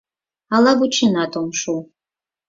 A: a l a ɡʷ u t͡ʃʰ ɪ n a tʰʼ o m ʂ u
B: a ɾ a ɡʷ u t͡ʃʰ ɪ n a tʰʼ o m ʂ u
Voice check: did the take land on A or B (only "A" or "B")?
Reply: A